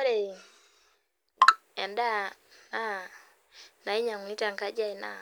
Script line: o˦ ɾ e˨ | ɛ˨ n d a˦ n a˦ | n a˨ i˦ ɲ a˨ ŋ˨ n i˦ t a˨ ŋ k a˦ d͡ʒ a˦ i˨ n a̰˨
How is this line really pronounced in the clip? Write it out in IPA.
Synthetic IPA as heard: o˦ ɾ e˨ | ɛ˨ n d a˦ n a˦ | n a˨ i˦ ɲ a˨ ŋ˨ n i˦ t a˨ ŋ k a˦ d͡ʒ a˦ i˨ n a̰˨